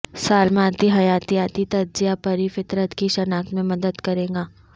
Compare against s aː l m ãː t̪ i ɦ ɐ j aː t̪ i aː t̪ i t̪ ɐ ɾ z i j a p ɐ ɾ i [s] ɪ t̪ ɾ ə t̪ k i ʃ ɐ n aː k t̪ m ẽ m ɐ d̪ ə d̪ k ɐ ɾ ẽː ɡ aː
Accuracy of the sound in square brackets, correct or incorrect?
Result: incorrect